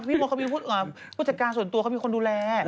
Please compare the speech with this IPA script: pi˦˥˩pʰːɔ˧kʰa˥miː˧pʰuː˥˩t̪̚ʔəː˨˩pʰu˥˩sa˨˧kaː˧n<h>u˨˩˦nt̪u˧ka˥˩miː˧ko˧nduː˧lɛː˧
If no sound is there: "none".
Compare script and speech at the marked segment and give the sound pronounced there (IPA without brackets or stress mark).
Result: s